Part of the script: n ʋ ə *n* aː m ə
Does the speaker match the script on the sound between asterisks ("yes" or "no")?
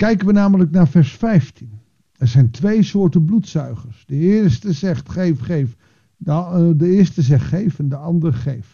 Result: yes